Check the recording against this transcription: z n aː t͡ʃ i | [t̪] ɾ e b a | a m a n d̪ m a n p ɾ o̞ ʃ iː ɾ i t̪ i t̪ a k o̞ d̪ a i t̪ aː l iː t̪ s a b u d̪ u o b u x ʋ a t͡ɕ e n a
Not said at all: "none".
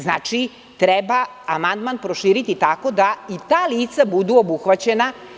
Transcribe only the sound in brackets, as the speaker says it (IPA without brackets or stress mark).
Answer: t̪